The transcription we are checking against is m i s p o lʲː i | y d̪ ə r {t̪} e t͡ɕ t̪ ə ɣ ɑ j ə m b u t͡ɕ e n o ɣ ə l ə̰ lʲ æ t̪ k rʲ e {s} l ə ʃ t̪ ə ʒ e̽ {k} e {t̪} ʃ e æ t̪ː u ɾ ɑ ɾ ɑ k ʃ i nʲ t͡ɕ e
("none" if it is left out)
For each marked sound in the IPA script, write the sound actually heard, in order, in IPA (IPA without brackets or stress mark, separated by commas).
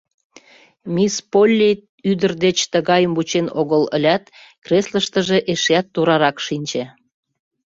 d̪, s, ʔ, none